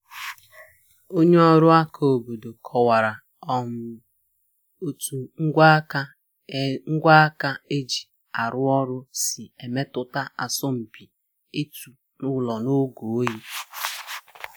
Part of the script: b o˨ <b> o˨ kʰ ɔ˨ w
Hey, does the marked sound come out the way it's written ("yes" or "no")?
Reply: no